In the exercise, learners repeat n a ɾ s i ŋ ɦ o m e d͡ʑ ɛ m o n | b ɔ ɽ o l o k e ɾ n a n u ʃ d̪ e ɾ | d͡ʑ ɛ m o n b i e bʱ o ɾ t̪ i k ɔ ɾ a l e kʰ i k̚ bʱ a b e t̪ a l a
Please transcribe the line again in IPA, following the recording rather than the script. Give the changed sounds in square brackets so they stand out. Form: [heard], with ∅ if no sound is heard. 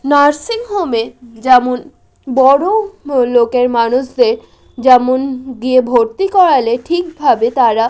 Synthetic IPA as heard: n a ɾ s i ŋ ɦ o m e d͡ʑ ɛ m o n | b ɔ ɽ o l o k e ɾ [m] a n u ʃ d̪ e ɾ | d͡ʑ ɛ m o n [ɡ] i e bʱ o ɾ t̪ i k ɔ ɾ a l e [ʈʰ] i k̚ bʱ a b e t̪ a [ɾ] a